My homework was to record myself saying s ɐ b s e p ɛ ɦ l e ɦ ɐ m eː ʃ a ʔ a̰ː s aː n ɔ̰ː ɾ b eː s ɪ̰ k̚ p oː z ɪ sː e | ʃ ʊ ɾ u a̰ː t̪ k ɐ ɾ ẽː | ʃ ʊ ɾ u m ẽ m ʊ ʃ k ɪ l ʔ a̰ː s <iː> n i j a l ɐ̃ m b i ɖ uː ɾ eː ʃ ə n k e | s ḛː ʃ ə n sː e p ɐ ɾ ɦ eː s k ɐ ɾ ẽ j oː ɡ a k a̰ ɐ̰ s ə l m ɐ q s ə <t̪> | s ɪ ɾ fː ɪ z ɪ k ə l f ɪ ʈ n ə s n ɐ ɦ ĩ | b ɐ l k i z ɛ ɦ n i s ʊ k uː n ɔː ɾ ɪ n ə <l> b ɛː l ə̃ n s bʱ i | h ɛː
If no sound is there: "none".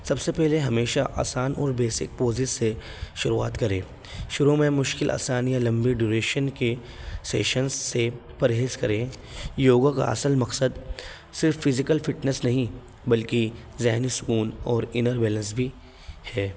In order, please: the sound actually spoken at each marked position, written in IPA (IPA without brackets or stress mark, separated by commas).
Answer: aː, d̪, ɾ